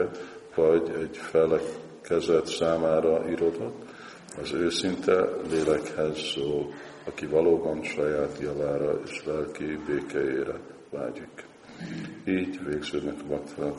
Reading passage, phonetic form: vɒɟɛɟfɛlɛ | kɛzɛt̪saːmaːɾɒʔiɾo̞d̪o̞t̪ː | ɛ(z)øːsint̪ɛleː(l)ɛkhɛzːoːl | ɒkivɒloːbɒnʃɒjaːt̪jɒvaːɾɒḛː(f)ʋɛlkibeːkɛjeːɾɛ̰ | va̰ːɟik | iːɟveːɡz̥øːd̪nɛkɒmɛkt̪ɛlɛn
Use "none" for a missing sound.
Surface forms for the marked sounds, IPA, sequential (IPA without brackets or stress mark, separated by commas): z, l, ʃ